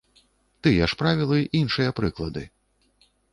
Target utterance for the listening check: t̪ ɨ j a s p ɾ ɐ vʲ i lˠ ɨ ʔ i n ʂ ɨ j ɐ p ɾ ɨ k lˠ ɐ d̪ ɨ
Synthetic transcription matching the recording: t̪ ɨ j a ʂ p ɾ a vʲ i lˠ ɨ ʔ i n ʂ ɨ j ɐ p ɾ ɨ k lˠ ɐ d̪ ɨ

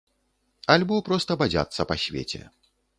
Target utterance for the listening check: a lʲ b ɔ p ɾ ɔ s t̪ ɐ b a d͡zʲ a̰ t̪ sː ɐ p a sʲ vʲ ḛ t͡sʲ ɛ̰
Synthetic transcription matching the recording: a lʲ b ɔ p ɾ ɔ s t̪ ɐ b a d͡zʲ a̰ t̪ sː ɐ p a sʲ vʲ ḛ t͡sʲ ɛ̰

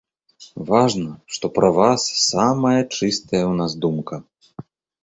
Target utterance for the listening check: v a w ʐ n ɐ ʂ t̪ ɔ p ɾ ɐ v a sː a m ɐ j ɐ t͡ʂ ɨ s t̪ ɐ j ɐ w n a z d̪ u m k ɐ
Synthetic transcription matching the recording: v a ʐ n ɐ ʂ t̪ ɔ p ɾ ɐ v a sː a m ɐ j ɐ t͡ʂ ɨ s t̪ ɐ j ɐ w n a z d̪ u m k ɐ

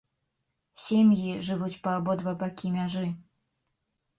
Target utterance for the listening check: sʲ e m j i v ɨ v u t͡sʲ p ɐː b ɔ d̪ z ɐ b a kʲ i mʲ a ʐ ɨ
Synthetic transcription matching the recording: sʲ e m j i ʐ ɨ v u t͡sʲ p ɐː b ɔ d̪ v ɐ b a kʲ i mʲ a ʐ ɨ

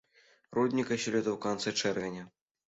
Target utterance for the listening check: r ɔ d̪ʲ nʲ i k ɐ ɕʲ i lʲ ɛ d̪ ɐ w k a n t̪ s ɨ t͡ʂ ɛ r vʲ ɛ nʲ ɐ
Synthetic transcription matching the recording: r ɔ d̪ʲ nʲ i k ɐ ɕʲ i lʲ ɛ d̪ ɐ w k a n t̪ s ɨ t͡ʂ ɛ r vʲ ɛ nʲ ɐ

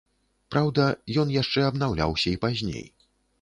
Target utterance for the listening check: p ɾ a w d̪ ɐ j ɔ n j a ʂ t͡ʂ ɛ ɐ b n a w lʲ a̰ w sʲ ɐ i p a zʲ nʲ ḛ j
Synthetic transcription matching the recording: p ɾ a w d̪ ɐ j ɔ n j a ʂ t͡ʂ ɛ ɐ b n a w lʲ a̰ w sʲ ɐ i p a zʲ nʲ ḛ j

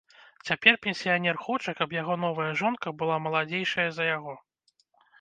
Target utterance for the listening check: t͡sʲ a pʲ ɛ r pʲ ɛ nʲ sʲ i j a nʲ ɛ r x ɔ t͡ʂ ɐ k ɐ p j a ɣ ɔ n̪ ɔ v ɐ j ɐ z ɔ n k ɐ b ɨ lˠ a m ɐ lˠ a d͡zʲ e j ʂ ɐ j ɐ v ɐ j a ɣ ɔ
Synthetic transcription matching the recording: t͡sʲ a pʲ ɛ r pʲ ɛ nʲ sʲ i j a nʲ ɛ r x ɔ t͡ʂ ɐ k ɐ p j a ɣ ɔ n̪ ɔ v ɐ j ɐ ʐ ɔ n k ɐ b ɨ lˠ a m ɐ lˠ a d͡zʲ e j ʂ ɐ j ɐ z ɐ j a ɣ ɔ

